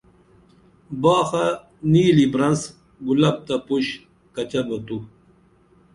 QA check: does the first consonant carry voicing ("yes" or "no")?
yes